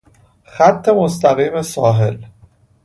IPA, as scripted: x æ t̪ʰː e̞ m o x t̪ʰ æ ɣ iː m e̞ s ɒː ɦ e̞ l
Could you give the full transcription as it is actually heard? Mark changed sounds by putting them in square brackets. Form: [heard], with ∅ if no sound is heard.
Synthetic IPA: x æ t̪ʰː e̞ m o [s] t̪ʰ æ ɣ iː m e̞ s ɒː ɦ e̞ l